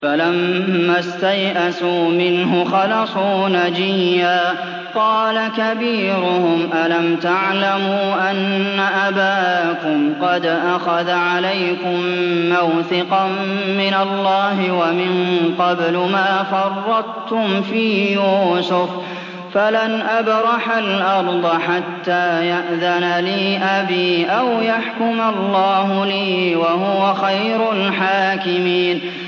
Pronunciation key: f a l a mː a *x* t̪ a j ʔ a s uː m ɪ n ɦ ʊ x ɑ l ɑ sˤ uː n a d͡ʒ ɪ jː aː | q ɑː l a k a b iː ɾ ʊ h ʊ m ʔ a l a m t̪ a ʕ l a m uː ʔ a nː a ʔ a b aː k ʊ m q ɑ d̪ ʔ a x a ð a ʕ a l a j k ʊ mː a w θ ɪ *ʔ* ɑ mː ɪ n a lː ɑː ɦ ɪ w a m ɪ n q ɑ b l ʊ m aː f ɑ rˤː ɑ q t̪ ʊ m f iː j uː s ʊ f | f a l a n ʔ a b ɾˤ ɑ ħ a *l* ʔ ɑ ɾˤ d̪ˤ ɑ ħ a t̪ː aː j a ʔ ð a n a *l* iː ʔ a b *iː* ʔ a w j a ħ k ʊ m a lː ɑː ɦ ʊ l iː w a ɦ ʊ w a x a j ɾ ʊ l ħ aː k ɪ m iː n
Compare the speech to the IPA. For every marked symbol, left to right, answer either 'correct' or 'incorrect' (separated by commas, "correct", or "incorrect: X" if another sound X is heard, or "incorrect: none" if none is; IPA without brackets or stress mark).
incorrect: s, incorrect: q, correct, correct, correct